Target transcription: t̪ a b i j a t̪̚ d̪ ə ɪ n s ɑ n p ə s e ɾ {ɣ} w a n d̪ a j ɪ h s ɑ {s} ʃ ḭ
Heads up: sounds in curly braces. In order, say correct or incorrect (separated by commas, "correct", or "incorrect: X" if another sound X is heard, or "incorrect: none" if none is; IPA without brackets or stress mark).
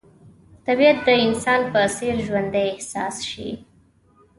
incorrect: ʒ, correct